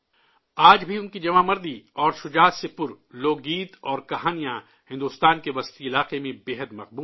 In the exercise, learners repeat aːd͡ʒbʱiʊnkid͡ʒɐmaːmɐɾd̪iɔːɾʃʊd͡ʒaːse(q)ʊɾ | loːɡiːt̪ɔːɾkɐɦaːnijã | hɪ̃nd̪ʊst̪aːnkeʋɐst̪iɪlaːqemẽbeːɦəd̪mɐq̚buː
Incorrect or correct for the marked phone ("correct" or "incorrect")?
incorrect